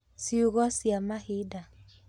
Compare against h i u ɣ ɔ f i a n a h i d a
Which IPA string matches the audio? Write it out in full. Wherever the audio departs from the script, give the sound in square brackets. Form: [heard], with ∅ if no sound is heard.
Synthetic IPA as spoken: [s] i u ɣ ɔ [s] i a [m] a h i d a